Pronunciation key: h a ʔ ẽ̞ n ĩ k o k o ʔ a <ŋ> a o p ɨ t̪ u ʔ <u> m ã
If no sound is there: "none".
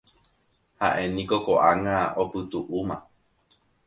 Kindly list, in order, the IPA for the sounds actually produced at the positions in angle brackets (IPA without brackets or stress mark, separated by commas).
ŋ, u